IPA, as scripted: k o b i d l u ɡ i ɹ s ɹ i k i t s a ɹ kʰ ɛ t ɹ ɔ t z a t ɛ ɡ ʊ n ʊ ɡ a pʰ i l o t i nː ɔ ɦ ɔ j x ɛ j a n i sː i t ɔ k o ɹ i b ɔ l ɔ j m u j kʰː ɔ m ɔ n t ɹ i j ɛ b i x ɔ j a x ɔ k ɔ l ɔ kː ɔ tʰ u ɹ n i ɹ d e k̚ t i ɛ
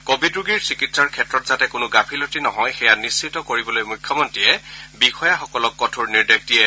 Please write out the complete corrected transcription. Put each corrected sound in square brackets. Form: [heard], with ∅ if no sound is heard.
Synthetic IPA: k o b i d [ɹ] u ɡ i ɹ s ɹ i k i t s a ɹ kʰ ɛ t ɹ ɔ t z a t ɛ [k] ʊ n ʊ ɡ a pʰ i l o t i [n] ɔ ɦ ɔ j x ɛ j a n i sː i t ɔ k o ɹ i b ɔ l [o] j m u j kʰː ɔ m ɔ n t ɹ i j ɛ b i x ɔ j a x ɔ k ɔ l ɔ kː ɔ tʰ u ɹ n i ɹ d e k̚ t i ɛ

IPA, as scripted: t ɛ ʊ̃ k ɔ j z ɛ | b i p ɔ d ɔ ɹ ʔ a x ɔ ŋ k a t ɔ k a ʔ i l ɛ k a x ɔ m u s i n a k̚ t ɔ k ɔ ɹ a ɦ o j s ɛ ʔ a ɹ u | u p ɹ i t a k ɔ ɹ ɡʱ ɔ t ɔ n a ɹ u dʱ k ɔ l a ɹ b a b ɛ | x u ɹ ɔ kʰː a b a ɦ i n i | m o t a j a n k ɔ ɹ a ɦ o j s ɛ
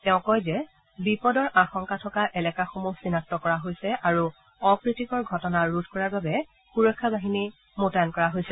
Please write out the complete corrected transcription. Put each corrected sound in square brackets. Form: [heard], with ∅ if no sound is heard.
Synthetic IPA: t ɛ ʊ̃ k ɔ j z ɛ | b i p ɔ d ɔ ɹ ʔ a x ɔ ŋ k a [tʰ] ɔ k a ʔ [ɛ] l ɛ k a x [o] m u s i n a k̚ t ɔ k ɔ ɹ a ɦ o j s ɛ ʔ a ɹ u | [ɔ] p ɹ i t [i] k ɔ ɹ ɡʱ ɔ t ɔ n a ɹ u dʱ k ɔ [ɹ] a ɹ b a b ɛ | x u ɹ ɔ kʰː a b a ɦ i n i | m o t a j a n k ɔ ɹ a ɦ o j s ɛ

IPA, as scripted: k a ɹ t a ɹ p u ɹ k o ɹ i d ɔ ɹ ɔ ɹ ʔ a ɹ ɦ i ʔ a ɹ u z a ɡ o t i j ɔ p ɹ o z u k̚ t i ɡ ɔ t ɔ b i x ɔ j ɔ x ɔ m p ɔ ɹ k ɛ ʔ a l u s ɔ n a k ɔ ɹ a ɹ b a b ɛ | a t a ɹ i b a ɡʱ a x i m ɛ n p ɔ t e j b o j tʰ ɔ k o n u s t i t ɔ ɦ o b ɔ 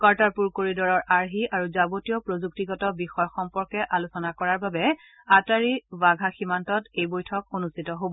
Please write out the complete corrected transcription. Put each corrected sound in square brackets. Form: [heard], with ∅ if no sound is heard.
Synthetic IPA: k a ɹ t a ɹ p u ɹ k o ɹ i d ɔ ɹ ɔ ɹ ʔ a ɹ ɦ i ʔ a ɹ u z a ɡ o t i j ɔ p ɹ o z u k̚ t i ɡ ɔ t ɔ b i x ɔ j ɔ x ɔ m p ɔ ɹ k ɛ ʔ a l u s ɔ n a k ɔ ɹ a ɹ b a b ɛ | a t a ɹ i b a ɡʱ a x i m [a] n [t] ɔ t e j b o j tʰ ɔ k o n u s t i t ɔ ɦ o b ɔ

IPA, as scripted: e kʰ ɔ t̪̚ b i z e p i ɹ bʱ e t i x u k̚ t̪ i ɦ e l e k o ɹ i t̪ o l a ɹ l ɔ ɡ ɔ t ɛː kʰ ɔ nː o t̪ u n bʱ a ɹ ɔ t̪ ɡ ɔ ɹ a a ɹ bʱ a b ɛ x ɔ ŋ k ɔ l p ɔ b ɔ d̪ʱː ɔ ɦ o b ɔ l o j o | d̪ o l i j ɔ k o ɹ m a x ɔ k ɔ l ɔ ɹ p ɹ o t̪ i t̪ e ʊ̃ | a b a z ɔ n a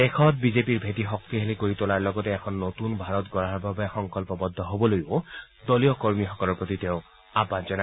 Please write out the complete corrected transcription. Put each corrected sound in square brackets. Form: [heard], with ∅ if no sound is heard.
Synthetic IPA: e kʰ ɔ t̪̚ b i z e p i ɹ bʱ e t i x [ɔ] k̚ t̪ i ɦ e l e k o ɹ i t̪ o l a ɹ l ɔ ɡ ɔ t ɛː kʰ ɔ nː o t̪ u n bʱ a ɹ ɔ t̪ ɡ ɔ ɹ a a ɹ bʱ a b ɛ x ɔ ŋ k ɔ l p ɔ b ɔ d̪ʱː ɔ ɦ o b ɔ l o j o | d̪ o l i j ɔ k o ɹ m [i] x ɔ k ɔ l ɔ ɹ p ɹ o t̪ i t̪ e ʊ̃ | a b a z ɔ n a

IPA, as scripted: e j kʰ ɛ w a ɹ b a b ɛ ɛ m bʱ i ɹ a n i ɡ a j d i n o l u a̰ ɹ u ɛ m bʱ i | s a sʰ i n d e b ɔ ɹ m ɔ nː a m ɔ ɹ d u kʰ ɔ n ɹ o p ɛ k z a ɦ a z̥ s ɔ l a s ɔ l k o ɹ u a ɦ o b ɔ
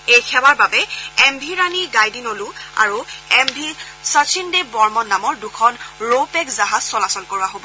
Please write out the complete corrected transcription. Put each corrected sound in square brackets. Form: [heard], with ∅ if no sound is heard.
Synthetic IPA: e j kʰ ɛ w a ɹ b a b ɛ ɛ m bʱ i ɹ a n i ɡ a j d i n o l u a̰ ɹ u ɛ m bʱ i | s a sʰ i n d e b ɔ ɹ m ɔ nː a m ɔ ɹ d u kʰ ɔ n ɹ o p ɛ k z a ɦ a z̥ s ɔ l a s ɔ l k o ɹ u a ɦ o b ɔ

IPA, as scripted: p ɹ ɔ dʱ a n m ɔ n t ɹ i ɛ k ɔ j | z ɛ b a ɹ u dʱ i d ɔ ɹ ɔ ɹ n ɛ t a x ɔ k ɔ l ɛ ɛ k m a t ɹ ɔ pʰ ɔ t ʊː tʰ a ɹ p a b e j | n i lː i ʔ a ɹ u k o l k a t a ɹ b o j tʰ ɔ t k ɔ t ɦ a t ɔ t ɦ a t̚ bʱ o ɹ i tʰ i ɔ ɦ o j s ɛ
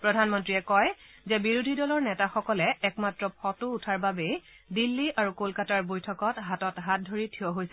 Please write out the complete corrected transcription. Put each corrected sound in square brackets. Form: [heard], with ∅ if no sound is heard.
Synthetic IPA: p ɹ ɔ dʱ a n m ɔ n t ɹ i ɛ k ɔ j | z ɛ b [i] ɹ u dʱ i d ɔ [l] ɔ ɹ n ɛ t a x ɔ k ɔ l ɛ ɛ k m a t ɹ ɔ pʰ ɔ t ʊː tʰ a ɹ [b] a b e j | [d] i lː i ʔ a ɹ u k o l k a t a ɹ b o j tʰ ɔ [∅] k ɔ t ɦ a t ɔ t ɦ a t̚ [dʱ] o ɹ i tʰ i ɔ ɦ o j s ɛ

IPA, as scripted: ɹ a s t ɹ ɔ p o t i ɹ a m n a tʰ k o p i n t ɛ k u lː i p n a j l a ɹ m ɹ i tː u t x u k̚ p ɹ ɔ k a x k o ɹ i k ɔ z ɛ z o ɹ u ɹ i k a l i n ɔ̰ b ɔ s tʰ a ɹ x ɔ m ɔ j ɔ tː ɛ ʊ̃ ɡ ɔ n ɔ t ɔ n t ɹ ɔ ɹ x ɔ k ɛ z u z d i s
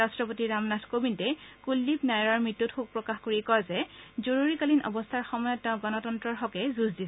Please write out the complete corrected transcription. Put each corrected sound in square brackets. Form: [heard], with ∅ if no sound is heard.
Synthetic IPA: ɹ a s t ɹ ɔ p o t i ɹ a m n a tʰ k o [b] i n t ɛ k u lː i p n a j [ɹ] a ɹ m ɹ i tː u t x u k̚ p ɹ ɔ k a x k o ɹ i k ɔ z ɛ z o ɹ u ɹ i k a l i n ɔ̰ b ɔ s tʰ a ɹ x ɔ m ɔ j ɔ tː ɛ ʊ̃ ɡ ɔ n ɔ t ɔ n t ɹ ɔ ɹ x ɔ k ɛ z u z d i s

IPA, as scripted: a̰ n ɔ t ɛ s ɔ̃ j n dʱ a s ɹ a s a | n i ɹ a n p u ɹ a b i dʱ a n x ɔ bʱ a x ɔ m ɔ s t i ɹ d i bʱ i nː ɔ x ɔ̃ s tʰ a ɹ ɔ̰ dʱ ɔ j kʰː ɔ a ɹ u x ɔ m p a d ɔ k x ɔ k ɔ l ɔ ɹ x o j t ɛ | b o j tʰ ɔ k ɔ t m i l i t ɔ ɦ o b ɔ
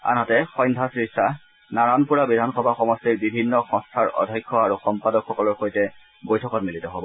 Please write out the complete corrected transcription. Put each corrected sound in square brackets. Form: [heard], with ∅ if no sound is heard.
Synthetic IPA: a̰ n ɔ t ɛ [x] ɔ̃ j n dʱ a s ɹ [i] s a | n [a] ɹ a n p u ɹ a b i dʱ a n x ɔ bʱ a x ɔ m ɔ s t i ɹ [b] i bʱ i nː ɔ x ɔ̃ s tʰ a ɹ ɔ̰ dʱ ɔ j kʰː ɔ a ɹ u x ɔ m p a d ɔ k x ɔ k ɔ l ɔ ɹ x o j t ɛ | b o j tʰ ɔ k ɔ t m i l i t ɔ ɦ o b ɔ

